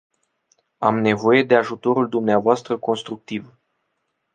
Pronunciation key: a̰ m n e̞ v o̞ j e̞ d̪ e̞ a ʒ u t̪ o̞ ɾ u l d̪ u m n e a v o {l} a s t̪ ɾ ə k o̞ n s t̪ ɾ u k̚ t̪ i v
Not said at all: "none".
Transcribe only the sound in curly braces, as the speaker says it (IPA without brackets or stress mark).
none